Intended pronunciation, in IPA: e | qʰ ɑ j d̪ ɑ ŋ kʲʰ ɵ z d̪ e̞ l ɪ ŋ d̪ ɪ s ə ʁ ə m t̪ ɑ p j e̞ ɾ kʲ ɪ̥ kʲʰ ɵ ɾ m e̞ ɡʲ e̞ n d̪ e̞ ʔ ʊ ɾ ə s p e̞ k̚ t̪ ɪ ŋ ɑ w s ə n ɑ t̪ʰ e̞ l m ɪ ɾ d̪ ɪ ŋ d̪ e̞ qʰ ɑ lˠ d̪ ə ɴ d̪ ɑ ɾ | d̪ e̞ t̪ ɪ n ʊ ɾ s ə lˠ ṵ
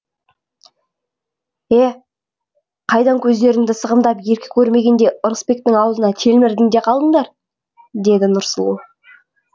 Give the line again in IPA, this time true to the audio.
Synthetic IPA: e | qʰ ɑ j d̪ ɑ ŋ kʲʰ ɵ z d̪ e̞ ɾ ɪ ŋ d̪ ɪ s ə ʁ ə m d̪ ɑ p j e̞ ɾ kʲ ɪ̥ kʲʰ ɵ ɾ m e̞ ɡʲ e̞ n d̪ e̞ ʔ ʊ ɾ ə s p e̞ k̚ t̪ ɪ ŋ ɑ w z ə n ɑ t̪ʰ e̞ l m ɪ ɾ d̪ ɪ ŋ d̪ e̞ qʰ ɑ lˠ d̪ ə ɴ d̪ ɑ ɾ | d̪ e̞ d̪ ɪ n ʊ ɾ s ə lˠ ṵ

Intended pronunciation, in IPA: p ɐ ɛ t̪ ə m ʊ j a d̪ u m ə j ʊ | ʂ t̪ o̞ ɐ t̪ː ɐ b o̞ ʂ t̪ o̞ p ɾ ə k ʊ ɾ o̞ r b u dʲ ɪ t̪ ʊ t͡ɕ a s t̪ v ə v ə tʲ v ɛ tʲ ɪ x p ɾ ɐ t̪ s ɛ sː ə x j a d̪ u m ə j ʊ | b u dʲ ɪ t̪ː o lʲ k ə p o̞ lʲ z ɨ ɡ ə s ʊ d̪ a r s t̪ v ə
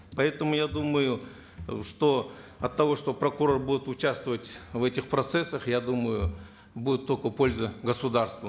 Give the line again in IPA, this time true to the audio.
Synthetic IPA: p ɐ ɛ t̪ ə m ʊ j a d̪ u m ə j ʊ | ʂ t̪ o̞ ɐ t̪ː ɐ v o̞ ʂ t̪ o̞ p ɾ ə k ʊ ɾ o̞ r b u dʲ ɪ t̪ ʊ t͡ɕ a s t̪ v ə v ə tʲ v ɛ tʲ ɪ x p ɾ ɐ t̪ s ɛ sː ə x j a d̪ u m ə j ʊ | b u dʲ ɪ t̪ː o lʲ k ə p o̞ lʲ z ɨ ɡ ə s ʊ d̪ a r s t̪ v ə

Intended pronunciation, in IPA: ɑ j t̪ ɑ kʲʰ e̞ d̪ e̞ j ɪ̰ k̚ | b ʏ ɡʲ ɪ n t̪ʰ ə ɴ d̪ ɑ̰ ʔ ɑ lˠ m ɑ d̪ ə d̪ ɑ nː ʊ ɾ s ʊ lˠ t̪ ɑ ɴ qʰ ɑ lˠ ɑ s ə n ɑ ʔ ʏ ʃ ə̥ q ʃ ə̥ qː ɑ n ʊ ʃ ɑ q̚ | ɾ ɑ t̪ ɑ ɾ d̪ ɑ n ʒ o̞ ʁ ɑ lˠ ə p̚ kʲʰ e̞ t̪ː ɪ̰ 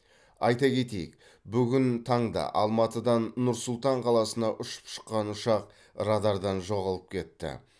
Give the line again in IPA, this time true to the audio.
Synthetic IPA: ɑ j t̪ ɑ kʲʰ e̞ t̪ e̞ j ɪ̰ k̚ | b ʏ ɡʲ ɪ n t̪ʰ ɑ ɴ d̪ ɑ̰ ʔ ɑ lˠ m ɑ t̪ ə d̪ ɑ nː ʊ ɾ s ʊ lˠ t̪ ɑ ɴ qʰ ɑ lˠ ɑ s ə n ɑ ʔ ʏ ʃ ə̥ p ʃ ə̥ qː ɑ n ʊ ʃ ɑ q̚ | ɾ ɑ d̪ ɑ ɾ d̪ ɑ n ʒ o̞ ʁ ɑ lˠ ə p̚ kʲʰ e̞ t̪ː ɪ̰

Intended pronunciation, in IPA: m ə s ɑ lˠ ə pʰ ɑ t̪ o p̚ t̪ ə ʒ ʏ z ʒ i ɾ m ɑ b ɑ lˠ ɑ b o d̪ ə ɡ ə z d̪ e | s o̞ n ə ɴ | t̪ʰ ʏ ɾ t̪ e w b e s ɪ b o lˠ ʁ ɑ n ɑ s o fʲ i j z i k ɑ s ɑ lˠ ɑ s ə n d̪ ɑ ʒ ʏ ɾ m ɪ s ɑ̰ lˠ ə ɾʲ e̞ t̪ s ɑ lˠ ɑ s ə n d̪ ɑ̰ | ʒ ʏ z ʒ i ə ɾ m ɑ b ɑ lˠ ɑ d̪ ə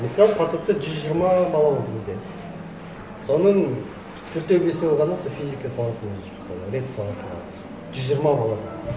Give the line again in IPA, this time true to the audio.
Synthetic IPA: m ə s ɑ lˠ ə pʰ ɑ t̪ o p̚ t̪ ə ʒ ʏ z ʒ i ɾ m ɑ b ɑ lˠ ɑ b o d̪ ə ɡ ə z d̪ e | s o̞ n ə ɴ | t̪ʰ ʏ ɾ t̪ e w b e s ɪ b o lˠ ʁ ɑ n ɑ s o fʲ i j z i k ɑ s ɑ lˠ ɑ s ə n d̪ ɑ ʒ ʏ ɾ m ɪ s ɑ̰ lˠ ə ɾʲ e̞ t̪ s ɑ lˠ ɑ s ə n d̪ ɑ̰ | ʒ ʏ z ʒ i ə ɾ m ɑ b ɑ lˠ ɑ d̪ ə

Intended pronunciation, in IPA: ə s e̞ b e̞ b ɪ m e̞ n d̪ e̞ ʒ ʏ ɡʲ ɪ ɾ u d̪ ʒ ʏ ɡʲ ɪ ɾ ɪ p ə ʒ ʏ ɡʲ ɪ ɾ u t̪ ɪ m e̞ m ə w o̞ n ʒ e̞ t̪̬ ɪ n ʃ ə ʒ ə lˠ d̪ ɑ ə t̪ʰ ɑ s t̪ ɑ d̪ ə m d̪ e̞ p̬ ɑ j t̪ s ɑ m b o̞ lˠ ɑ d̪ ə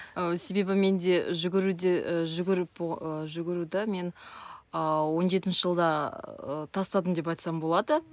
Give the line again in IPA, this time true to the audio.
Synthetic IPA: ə s e̞ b e̞ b ɪ m e̞ n d̪ e̞ ʒ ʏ ɡʲ ɪ ɾ u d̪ ʒ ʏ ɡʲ ɪ ɾ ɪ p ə ʒ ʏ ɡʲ ɪ ɾ u d̪ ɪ m e̞ n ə w o̞ n ʒ e̞ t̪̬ ɪ n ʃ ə ʒ ə lˠ d̪ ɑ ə t̪ʰ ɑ s t̪ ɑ d̪ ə m d̪ e̞ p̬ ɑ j t̪ s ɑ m b o̞ lˠ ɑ d̪ ə

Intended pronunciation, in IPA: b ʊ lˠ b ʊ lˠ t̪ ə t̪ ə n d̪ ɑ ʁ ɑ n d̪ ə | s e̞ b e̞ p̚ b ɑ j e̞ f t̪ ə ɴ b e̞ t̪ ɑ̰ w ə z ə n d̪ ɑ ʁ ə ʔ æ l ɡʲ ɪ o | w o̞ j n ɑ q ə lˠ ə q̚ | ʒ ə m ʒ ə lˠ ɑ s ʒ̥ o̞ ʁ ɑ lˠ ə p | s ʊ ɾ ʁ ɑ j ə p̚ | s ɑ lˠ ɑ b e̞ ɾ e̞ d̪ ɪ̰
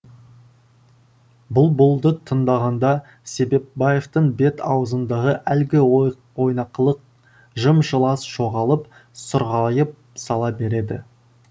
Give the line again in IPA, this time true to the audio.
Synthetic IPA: b ʊ lˠ b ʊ lˠ d̪ ə t̪ʰ ə n d̪ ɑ ʁ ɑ n d̪ ɑ | s e̞ b e̞ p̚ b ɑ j e̞ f t̪ ə ɴ b e̞ t̪ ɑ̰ w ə z ə n d̪ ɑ ʁ ə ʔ æ l ɡʲ ɪ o | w o̞ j n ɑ q ə lˠ ə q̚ | ʒ ə m ʒ ə lˠ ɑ s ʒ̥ o̞ ʁ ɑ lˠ ə p | s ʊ ɾ ʁ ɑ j ə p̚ | s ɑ lˠ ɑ b e̞ ɾ e̞ d̪ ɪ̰

